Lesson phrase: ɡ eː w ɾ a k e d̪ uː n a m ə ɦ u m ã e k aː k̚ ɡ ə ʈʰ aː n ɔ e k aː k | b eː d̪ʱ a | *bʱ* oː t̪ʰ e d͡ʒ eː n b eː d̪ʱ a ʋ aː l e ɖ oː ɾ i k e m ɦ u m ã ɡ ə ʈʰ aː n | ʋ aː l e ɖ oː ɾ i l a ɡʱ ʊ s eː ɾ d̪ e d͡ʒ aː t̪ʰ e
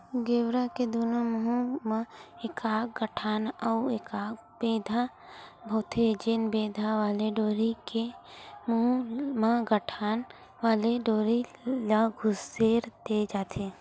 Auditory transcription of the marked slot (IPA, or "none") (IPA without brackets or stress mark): bʱ